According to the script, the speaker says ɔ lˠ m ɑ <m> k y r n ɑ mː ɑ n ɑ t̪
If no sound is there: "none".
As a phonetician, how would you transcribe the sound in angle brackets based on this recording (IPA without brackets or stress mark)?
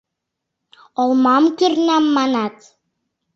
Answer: m